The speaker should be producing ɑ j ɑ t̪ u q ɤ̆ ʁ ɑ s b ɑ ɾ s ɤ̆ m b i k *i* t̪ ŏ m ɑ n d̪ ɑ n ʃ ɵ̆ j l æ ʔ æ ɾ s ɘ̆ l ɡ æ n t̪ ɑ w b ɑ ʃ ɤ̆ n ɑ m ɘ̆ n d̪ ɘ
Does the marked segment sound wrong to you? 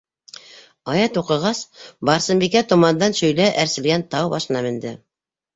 yes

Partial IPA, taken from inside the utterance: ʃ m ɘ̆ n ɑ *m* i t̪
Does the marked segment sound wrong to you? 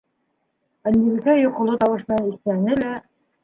yes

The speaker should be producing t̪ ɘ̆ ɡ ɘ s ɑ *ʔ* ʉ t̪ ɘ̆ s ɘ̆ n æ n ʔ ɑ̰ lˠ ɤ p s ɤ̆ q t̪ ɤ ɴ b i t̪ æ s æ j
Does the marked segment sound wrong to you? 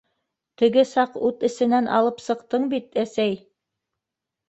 yes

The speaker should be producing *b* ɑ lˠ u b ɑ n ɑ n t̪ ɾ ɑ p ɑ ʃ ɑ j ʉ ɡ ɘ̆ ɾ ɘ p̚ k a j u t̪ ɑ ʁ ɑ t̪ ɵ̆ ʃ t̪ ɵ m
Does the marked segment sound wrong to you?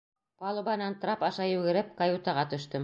yes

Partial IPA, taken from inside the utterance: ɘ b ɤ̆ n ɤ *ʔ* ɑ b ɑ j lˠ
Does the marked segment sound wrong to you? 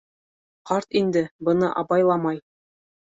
no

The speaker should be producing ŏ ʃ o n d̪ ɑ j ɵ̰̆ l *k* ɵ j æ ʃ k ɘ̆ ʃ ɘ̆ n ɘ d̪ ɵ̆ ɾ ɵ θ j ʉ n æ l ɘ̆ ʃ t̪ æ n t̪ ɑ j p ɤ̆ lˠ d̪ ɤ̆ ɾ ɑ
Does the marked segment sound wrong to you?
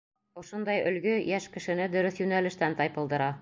yes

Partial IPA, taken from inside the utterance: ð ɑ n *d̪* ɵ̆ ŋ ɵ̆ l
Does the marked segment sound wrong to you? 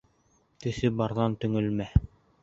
yes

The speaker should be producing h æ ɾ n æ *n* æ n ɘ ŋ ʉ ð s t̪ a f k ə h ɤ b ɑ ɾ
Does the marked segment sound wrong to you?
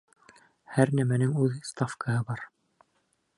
yes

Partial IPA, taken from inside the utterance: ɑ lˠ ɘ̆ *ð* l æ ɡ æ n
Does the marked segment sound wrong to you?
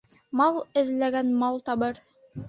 no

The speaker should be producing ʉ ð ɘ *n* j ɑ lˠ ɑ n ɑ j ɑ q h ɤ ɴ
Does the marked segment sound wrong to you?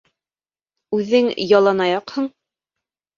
yes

